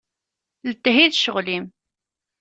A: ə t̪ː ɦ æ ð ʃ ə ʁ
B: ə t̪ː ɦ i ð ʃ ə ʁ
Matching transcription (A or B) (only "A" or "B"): B